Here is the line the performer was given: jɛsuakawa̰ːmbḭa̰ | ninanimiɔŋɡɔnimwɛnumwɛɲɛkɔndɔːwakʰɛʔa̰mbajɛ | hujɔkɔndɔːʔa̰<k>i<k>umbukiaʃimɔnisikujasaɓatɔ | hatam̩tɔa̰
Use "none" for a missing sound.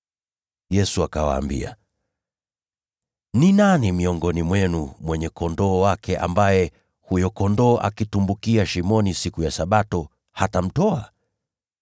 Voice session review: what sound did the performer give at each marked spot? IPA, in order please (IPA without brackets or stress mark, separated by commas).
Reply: k, t